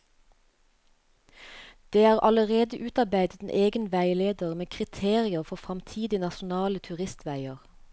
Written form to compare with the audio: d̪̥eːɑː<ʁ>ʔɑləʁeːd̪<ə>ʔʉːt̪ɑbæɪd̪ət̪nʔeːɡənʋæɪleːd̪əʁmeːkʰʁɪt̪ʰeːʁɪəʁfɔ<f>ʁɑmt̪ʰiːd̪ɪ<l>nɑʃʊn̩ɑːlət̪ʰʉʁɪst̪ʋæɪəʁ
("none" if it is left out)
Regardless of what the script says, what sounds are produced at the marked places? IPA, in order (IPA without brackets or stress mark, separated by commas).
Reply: ʁ, ə, f, none